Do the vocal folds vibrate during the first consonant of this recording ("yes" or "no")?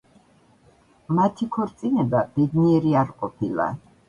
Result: yes